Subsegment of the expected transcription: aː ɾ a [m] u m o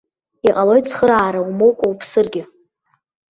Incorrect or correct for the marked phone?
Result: incorrect: none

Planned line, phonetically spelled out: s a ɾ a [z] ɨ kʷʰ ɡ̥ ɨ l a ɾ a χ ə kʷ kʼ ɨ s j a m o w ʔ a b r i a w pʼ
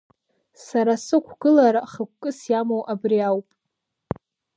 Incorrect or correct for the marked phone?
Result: incorrect: s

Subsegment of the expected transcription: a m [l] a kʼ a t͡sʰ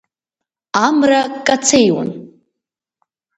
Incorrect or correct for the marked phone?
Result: incorrect: r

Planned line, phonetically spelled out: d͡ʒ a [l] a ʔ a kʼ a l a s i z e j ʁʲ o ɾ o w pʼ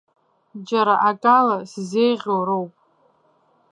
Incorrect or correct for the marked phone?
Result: incorrect: ɾ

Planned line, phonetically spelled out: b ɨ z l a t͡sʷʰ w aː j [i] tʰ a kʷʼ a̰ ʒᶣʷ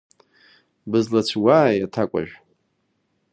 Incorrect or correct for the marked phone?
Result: incorrect: a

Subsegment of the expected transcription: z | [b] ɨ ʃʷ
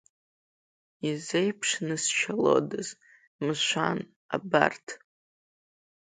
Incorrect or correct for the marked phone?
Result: incorrect: m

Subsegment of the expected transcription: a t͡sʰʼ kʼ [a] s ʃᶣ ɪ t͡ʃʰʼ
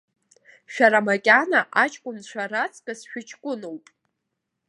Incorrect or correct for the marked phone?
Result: correct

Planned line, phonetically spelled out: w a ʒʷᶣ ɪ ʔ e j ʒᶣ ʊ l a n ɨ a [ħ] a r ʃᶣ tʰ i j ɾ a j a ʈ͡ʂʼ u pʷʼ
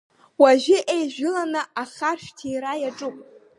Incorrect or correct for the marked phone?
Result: incorrect: χ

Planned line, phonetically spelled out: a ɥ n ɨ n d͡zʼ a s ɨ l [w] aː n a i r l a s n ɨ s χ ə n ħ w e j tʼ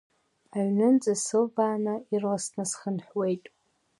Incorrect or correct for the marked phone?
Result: incorrect: b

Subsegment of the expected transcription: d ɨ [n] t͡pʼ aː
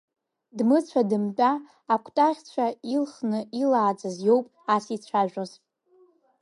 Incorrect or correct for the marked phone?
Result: incorrect: m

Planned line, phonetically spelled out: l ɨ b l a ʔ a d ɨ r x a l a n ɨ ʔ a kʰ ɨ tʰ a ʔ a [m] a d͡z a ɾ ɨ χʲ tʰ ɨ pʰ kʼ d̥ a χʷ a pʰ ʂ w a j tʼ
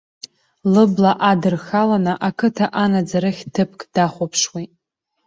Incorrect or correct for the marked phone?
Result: incorrect: n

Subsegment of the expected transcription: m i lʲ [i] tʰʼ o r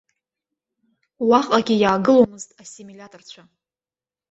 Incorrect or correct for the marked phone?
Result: incorrect: a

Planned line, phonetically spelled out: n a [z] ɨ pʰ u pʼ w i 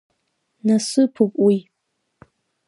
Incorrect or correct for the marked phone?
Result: incorrect: s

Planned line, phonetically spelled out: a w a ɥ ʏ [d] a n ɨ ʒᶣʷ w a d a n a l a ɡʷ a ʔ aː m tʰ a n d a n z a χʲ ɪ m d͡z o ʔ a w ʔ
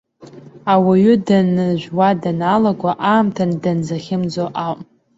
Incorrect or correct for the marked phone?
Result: correct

